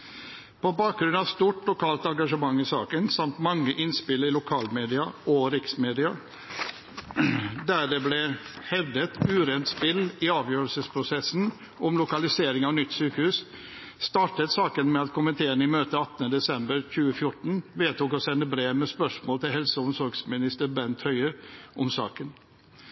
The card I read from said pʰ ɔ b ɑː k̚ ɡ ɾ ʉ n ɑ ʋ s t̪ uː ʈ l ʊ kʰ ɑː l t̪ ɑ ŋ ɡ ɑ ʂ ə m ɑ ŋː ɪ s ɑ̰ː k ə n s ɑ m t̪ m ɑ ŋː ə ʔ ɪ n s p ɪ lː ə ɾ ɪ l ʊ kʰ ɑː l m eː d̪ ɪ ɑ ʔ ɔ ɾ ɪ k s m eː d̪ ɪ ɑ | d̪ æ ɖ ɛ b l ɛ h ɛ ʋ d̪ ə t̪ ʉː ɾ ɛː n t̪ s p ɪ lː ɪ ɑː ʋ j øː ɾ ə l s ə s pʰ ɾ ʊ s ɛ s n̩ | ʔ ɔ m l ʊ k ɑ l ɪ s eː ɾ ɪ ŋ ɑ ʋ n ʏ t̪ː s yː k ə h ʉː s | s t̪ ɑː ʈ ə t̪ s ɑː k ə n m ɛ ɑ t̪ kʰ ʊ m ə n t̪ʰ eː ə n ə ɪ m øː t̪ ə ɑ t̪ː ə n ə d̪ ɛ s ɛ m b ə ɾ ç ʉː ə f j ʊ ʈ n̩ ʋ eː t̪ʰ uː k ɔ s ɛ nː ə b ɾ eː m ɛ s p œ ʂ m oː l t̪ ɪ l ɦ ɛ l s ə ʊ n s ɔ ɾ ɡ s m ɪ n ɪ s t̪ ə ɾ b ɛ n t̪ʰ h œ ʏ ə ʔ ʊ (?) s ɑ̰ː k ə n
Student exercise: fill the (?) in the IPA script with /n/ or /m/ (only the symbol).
m